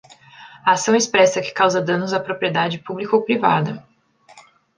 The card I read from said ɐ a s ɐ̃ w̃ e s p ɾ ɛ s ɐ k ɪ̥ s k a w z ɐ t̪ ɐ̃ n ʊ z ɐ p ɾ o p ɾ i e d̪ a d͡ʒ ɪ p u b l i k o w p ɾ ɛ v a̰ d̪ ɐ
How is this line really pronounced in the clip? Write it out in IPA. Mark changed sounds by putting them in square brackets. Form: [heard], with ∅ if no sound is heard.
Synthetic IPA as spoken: ɐ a s ɐ̃ w̃ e s p ɾ ɛ s ɐ k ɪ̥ [∅] k a w z ɐ [d̪] ɐ̃ n ʊ z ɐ p ɾ o p ɾ i e d̪ a d͡ʒ ɪ p u b l i k o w p ɾ [i] v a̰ d̪ ɐ